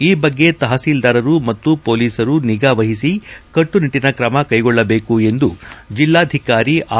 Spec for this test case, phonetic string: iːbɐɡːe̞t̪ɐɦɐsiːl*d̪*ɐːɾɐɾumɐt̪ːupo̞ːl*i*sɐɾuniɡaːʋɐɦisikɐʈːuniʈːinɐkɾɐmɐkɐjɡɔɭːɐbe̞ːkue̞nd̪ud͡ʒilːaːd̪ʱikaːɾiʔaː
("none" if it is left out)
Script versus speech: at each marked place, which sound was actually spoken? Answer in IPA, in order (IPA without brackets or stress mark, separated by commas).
d̪, iː